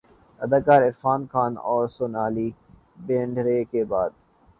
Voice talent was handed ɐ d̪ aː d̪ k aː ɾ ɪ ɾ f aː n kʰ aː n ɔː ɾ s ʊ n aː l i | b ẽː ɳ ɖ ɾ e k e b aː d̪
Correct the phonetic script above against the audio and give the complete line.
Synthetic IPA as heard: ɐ d̪ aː k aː ɾ ɪ ɾ f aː n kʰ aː n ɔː ɾ s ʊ n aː l i | b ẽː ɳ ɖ ɾ e k e b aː d̪